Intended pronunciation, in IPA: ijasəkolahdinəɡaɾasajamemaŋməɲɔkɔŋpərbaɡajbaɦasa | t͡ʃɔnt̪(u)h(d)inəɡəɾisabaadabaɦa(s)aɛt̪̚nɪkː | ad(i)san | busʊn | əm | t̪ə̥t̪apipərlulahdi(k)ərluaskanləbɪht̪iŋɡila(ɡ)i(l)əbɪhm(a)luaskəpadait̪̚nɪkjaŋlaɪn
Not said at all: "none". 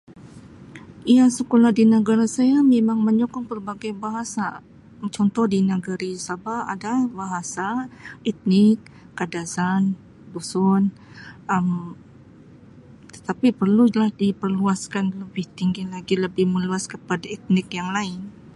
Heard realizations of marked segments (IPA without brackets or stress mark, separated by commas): ɔ, d, s, a, p, ɡ, l, ə